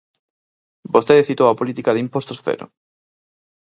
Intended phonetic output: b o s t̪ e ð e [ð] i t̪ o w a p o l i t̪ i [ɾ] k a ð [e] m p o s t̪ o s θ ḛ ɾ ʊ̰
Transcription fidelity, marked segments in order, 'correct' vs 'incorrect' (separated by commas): incorrect, incorrect, incorrect